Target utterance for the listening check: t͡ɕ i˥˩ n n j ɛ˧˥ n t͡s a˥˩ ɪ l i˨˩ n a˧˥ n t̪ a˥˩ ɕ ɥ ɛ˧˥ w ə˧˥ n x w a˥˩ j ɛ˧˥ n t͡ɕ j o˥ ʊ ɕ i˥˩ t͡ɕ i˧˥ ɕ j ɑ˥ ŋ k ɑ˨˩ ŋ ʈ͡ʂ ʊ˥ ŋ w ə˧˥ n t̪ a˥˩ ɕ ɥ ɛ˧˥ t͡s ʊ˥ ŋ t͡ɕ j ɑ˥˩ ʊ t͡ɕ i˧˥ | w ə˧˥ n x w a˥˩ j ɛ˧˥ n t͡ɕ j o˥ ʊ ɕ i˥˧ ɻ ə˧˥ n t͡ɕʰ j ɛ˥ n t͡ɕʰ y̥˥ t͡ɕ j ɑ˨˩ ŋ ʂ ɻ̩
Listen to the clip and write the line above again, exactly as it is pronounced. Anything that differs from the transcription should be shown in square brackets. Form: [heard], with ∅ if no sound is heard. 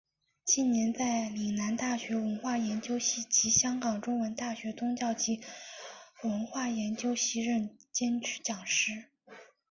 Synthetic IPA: t͡ɕ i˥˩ n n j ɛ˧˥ n t͡s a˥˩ ɪ l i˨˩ n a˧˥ n t̪ a˥˩ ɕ ɥ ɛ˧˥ w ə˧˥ n x w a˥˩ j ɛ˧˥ n t͡ɕ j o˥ ʊ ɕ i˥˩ t͡ɕ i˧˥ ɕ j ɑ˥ ŋ k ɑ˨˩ ŋ ʈ͡ʂ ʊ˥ ŋ w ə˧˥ n t̪ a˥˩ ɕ ɥ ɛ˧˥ t͡s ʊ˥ ŋ t͡ɕ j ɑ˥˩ ʊ t͡ɕ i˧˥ | w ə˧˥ n x w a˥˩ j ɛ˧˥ n t͡ɕ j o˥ ʊ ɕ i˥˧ ɻ [ə˥˩] n [t͡ɕ] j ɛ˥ n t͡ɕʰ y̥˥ t͡ɕ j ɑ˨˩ ŋ ʂ ɻ̩